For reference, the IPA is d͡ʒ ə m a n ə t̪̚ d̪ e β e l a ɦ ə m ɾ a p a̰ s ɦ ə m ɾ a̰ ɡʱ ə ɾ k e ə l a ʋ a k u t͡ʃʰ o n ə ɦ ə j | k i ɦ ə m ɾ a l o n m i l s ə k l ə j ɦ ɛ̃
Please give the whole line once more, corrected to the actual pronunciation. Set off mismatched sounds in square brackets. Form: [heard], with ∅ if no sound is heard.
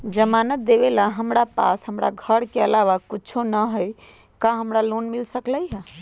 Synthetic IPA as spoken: d͡ʒ ə m a n ə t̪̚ d̪ e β e l a ɦ ə m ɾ a p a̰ s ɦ ə m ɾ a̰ ɡʱ ə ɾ k e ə l a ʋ a k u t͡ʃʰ o n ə ɦ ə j | k [a] ɦ ə m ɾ a l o n m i l s ə k l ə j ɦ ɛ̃